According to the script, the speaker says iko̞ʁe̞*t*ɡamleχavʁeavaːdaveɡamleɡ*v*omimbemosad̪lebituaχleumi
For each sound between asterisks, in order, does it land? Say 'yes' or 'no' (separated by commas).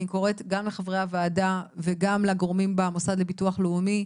yes, no